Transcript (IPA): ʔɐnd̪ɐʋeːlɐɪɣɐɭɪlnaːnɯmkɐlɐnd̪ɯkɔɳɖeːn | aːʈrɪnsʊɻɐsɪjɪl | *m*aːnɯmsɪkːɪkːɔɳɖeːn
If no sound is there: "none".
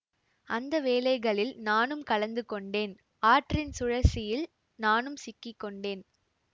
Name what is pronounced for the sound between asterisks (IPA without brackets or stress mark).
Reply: n